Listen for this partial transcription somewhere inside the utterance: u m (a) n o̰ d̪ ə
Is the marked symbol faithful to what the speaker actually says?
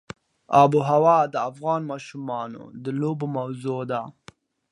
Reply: no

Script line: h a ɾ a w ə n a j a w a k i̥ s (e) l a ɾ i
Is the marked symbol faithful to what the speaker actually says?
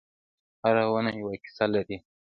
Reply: no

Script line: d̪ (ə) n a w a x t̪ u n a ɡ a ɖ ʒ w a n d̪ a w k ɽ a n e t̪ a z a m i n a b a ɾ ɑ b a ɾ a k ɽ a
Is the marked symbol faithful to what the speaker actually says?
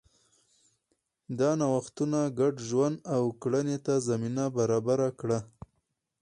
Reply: no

